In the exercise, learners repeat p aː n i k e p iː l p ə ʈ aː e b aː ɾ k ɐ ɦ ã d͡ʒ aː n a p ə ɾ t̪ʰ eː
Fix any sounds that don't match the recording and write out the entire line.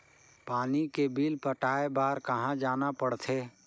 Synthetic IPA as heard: p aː n i k e b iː l p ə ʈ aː e b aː ɾ k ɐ ɦ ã d͡ʒ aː n a p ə ɽ t̪ʰ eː